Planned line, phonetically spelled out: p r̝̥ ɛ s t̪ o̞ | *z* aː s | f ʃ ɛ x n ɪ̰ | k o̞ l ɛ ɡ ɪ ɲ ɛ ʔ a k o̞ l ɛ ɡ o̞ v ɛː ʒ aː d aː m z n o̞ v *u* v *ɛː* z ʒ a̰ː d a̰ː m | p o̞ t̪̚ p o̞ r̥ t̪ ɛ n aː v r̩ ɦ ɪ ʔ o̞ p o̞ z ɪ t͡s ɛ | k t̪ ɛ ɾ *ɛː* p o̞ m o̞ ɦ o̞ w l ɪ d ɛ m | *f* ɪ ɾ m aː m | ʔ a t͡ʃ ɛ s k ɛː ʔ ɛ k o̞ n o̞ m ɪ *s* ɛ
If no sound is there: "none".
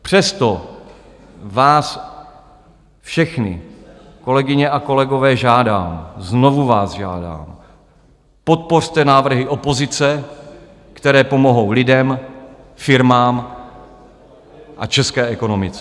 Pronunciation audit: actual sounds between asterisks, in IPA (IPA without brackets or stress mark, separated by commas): v, u, aː, ɛː, f, t͡s